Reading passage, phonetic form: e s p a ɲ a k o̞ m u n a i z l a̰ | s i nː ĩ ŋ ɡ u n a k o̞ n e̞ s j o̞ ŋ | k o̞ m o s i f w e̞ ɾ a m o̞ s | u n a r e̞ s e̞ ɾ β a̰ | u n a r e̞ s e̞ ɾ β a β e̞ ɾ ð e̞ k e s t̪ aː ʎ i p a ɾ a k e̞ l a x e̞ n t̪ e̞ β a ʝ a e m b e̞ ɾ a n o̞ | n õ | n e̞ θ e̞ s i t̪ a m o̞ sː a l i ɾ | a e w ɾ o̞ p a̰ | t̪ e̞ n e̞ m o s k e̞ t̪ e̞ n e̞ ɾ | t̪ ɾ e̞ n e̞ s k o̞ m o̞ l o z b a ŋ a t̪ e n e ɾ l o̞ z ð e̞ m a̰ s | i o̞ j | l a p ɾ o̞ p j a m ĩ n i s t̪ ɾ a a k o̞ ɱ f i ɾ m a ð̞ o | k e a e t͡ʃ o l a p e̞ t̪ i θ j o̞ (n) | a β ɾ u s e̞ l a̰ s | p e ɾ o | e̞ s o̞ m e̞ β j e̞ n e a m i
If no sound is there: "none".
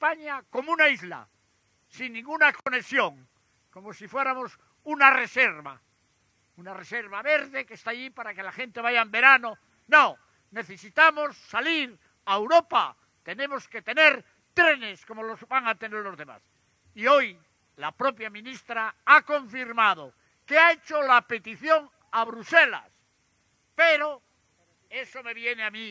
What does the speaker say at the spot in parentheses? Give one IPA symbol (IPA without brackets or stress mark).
ŋ